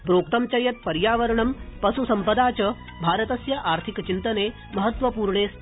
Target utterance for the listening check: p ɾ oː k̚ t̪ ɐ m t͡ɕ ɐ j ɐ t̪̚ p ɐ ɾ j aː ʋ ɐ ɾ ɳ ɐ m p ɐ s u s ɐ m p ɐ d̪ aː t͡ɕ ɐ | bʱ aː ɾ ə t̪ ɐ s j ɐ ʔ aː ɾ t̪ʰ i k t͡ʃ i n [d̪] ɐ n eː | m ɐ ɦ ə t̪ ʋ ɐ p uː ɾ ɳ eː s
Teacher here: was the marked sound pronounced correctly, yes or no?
no